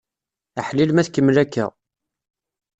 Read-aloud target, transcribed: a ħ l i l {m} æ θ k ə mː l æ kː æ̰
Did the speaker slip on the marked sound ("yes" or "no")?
no